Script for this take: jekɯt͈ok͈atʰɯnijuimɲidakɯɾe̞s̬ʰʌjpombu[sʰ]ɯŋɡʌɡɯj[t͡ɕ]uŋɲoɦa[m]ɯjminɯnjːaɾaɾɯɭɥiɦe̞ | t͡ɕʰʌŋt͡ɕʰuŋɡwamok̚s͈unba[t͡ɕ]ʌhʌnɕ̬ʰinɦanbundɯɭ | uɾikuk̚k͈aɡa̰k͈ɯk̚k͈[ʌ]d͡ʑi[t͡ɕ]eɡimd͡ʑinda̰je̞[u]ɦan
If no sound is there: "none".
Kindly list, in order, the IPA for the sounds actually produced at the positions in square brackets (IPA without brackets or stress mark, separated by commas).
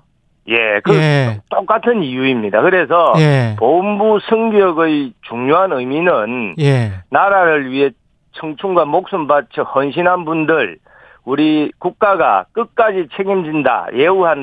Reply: sʰ, t͡ɕ, n, t͡ɕʰ, a, t͡ɕʰ, u